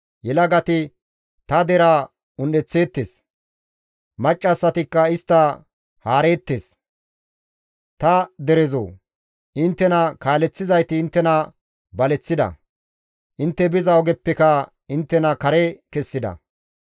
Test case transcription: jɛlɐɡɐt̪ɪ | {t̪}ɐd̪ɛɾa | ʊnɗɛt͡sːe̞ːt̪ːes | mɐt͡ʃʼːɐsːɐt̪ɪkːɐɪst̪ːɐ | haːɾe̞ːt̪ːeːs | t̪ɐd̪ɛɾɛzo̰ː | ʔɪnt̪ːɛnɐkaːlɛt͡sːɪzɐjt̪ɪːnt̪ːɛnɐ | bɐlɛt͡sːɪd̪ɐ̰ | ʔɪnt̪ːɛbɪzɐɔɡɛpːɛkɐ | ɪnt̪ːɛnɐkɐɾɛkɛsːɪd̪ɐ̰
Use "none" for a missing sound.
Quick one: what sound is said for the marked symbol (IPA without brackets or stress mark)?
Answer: t̪